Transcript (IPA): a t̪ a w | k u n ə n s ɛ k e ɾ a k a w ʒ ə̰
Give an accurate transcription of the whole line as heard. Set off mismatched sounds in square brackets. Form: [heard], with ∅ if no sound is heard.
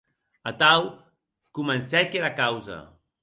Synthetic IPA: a t̪ a w | k u [m] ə n s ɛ k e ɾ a k a w [z] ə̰